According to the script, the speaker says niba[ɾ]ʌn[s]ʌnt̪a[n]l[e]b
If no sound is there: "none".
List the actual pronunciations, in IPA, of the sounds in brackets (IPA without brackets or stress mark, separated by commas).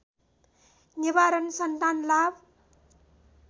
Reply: ɾ, s, n, a